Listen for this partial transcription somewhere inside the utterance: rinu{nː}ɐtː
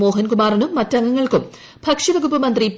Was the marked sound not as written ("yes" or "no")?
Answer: yes